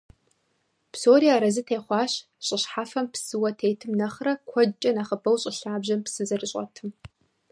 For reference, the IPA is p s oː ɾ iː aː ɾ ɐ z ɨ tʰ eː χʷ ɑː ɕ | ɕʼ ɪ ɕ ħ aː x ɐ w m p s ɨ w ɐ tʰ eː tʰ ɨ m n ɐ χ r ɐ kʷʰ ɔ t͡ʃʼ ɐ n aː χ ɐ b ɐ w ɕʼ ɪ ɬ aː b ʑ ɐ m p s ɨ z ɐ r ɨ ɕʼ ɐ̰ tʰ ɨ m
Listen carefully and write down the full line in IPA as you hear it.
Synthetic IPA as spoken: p s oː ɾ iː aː ɾ ɐ z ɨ tʰ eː χʷ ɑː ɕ | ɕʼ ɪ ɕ ħ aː f ɐ m p s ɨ w ɐ tʰ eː tʰ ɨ m n ɐ χ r ɐ kʷʰ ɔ t͡ʃʼ ɐ n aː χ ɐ b ɐ w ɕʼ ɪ ɬ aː b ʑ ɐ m p s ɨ z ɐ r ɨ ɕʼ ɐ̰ tʰ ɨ m